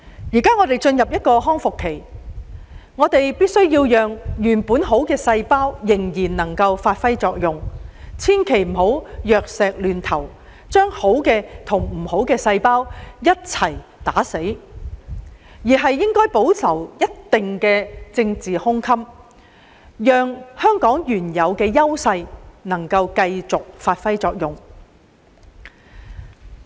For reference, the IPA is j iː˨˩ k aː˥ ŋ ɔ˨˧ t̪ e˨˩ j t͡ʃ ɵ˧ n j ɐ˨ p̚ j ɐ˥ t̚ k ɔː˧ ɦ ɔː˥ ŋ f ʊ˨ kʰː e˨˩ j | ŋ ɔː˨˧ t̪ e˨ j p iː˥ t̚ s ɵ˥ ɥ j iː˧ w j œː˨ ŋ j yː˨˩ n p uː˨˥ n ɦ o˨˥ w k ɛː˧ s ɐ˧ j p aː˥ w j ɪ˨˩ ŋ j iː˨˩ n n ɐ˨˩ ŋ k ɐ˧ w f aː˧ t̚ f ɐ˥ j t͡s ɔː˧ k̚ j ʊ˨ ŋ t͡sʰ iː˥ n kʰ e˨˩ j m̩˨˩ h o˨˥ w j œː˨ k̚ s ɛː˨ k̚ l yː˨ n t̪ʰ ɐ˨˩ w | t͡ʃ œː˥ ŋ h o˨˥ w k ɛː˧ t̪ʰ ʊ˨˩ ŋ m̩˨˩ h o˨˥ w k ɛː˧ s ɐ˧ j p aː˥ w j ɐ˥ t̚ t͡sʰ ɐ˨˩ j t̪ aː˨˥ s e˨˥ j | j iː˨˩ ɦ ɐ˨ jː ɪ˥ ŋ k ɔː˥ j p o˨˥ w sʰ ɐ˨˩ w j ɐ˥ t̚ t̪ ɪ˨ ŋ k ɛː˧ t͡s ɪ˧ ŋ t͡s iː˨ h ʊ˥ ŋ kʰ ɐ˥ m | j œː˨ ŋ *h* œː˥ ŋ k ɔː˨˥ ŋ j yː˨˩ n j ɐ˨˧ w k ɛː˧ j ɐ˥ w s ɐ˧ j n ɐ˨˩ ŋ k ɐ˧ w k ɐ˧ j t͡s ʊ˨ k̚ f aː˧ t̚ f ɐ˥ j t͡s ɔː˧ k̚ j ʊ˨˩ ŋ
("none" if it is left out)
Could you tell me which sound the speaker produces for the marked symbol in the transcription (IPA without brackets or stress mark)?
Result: h